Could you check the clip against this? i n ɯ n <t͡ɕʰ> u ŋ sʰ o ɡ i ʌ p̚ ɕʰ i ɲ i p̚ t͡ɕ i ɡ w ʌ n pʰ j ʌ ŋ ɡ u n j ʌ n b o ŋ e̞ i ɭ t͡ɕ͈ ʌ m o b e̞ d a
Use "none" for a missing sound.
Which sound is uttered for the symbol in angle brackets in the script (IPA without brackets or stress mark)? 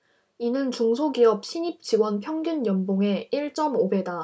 t͡ɕ